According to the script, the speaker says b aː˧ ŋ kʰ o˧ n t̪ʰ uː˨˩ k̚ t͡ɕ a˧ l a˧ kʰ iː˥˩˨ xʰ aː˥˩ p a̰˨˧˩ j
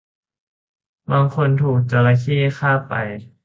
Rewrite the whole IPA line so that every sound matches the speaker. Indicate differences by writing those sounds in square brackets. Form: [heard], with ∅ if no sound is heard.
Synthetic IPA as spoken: b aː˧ ŋ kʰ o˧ n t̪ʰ uː˨˩ k̚ t͡ɕ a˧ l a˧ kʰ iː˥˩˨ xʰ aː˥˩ p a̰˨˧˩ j